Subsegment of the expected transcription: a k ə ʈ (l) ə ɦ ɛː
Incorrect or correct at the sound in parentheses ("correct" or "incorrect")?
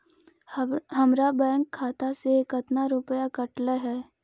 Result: correct